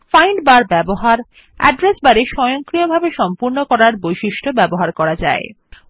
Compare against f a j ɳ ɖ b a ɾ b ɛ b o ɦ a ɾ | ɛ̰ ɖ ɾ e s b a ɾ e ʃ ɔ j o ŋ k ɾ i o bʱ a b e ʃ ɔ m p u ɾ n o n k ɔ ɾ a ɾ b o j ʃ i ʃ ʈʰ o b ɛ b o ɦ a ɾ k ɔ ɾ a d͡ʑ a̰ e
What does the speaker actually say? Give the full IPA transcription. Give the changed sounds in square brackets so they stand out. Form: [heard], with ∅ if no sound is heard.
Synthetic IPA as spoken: f a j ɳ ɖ b a ɾ b ɛ b o ɦ a ɾ | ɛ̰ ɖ ɾ e s b a ɾ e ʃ ɔ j o ŋ k ɾ i o bʱ a b e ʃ ɔ m p u ɾ n o [∅] k ɔ ɾ a ɾ b o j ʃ i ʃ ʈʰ o b ɛ b o ɦ a ɾ k ɔ ɾ a d͡ʑ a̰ e